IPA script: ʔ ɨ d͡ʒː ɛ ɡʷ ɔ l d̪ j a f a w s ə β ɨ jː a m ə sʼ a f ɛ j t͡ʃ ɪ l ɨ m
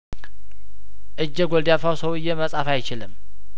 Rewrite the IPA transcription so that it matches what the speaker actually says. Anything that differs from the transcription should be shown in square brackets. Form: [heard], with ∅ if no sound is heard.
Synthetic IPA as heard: ʔ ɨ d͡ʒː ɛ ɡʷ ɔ l d̪ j a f a w s ə [w] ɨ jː [ɛ] m ə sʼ a f [a] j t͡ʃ ɪ l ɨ m